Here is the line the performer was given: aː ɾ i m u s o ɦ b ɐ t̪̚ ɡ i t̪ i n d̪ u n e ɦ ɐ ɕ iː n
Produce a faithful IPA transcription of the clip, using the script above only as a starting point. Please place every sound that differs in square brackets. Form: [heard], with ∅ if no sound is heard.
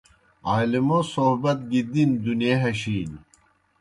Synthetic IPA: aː [l] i m [o] s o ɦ b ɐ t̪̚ ɡ i [d̪] i n d̪ u n e ɦ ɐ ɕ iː n